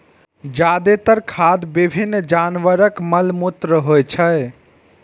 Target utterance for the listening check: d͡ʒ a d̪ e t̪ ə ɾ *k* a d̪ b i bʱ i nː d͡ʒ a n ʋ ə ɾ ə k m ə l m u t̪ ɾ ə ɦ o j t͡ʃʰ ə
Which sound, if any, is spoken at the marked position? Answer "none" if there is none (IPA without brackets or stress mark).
kʰ